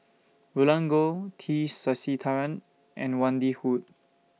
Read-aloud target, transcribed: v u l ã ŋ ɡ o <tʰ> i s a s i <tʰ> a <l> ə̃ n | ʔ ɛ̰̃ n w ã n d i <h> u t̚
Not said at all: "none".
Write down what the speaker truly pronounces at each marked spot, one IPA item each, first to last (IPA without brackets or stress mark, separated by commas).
tʰ, tʰ, ɹ, h